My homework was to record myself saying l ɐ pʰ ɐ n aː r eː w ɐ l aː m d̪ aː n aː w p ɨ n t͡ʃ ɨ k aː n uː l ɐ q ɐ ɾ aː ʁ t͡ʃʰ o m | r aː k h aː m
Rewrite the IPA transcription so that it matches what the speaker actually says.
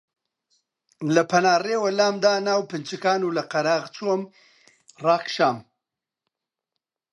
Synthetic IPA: l ɐ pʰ ɐ n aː r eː w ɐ l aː m d̪ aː n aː w p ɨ n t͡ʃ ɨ k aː n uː l ɐ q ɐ ɾ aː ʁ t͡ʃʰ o m | r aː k ʃ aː m

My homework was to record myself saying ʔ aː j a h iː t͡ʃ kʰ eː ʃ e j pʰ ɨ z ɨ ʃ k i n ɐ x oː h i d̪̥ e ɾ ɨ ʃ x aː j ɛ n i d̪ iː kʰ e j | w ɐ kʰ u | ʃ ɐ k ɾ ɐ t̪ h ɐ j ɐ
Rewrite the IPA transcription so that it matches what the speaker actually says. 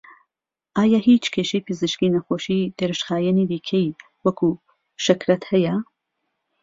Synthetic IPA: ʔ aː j a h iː t͡ʃ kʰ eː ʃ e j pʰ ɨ z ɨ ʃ k i n ɐ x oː ʃ i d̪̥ e ɾ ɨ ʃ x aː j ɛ n i d̪ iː kʰ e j | w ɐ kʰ u | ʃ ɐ k ɾ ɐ t̪ h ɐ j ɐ

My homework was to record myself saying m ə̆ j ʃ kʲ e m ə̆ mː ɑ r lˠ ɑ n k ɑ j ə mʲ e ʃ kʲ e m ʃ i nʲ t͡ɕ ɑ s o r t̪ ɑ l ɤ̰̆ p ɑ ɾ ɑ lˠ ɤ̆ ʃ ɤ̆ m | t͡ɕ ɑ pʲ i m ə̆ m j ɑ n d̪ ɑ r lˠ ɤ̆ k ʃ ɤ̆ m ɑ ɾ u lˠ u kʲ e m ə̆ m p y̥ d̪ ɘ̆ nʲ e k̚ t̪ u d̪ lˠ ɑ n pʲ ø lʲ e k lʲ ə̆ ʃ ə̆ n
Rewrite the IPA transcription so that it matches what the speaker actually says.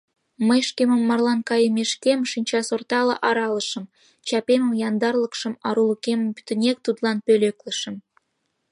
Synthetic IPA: m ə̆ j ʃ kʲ e m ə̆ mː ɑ r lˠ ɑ n k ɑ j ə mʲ e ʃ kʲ e m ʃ i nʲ t͡ɕ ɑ s o r t̪ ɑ l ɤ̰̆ ʔ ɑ ɾ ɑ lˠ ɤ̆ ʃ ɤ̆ m | t͡ɕ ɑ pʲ e m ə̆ m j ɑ n d̪ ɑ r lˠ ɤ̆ k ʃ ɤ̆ m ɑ ɾ u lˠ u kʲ e m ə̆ m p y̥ t̪ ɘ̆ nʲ e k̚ t̪ u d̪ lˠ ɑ n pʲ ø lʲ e k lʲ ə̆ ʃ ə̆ m

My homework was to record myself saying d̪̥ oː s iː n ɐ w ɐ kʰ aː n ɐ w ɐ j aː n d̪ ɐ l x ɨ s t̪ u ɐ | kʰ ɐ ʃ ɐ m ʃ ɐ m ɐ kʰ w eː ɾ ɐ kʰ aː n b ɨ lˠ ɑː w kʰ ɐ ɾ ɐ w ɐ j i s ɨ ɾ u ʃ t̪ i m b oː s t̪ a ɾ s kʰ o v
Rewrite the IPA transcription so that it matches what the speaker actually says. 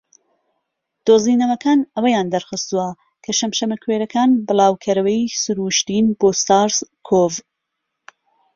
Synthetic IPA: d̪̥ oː z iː n ɐ w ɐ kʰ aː n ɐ w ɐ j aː n d̪ ɐ ɾ x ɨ s t̪ u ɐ | kʰ ɐ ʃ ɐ m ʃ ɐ m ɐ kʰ w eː ɾ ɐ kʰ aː n b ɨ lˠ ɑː w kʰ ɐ ɾ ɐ w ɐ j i s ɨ ɾ u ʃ t̪ i n b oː s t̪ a ɾ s kʰ o v

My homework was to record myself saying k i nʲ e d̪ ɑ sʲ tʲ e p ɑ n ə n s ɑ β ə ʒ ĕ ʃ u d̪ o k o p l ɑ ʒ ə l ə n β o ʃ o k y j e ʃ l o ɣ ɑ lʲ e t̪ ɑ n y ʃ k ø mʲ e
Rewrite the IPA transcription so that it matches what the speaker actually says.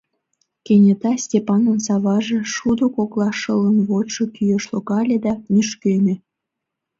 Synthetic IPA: k e nʲ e t̪ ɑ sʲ tʲ e p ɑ n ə n s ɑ β ɑ ʒ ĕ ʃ u d̪ o k o k l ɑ ʃ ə l ə n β o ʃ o k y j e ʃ l o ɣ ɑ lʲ e d̪ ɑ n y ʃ k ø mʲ e

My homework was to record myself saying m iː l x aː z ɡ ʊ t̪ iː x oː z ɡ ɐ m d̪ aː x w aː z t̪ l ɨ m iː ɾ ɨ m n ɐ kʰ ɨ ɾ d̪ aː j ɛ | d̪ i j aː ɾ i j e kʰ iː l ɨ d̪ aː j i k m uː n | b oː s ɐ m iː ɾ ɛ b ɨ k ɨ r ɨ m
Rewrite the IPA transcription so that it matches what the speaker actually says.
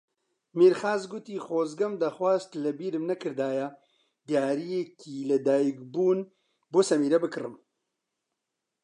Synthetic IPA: m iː ɾ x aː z ɡ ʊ t̪ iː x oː z ɡ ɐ m d̪ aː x w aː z t̪ l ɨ b iː ɾ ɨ m n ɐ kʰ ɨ ɾ d̪ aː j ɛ | d̪ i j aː ɾ i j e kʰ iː l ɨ d̪ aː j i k b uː n | b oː s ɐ m iː ɾ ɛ b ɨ k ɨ r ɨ m

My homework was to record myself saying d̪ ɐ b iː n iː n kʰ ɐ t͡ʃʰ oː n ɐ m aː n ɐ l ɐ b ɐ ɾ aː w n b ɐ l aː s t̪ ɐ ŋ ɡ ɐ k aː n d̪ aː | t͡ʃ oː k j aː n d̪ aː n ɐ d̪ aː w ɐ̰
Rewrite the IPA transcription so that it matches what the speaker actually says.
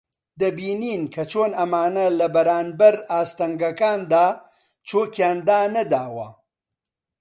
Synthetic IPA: d̪ ɐ b iː n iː n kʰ ɐ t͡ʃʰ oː n ɐ m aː n ɐ l ɐ b ɐ ɾ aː n b ɐ ɾ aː s t̪ ɐ ŋ ɡ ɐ k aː n d̪ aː | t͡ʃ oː k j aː n d̪ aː n ɐ d̪ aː w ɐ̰

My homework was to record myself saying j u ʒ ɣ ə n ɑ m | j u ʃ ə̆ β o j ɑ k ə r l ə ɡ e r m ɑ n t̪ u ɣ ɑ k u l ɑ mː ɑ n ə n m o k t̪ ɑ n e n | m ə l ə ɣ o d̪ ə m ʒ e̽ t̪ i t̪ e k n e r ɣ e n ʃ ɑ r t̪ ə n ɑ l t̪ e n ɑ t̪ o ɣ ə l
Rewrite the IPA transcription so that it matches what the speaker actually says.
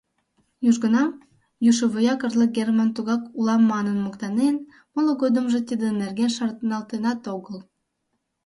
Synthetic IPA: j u ʒ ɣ ə n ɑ m | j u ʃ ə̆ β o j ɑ k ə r l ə ɡ e r m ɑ n t̪ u ɣ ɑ k u l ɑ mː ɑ n ə n m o k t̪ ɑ n e n | m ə l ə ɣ o d̪ ə m ʒ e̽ t̪ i d̪ e n e r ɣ e n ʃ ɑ r t̪ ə n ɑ l t̪ e n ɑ t̪ o ɣ ə l

